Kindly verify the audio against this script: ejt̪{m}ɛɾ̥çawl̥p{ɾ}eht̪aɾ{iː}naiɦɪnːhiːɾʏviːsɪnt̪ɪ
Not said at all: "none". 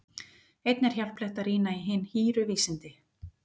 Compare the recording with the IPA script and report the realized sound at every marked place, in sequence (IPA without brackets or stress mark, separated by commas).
n, l, iː